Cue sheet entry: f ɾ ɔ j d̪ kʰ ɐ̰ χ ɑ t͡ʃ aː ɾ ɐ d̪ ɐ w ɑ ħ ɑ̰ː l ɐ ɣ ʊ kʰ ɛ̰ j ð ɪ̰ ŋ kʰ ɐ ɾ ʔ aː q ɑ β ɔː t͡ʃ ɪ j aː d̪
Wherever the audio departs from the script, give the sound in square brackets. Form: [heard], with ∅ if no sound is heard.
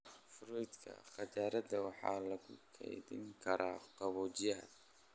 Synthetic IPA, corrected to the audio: f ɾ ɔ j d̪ kʰ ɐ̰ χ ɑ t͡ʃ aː ɾ ɐ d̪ ɐ w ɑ ħ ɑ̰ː l ɐ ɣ ʊ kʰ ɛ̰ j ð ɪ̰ ŋ kʰ ɐ ɾ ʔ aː q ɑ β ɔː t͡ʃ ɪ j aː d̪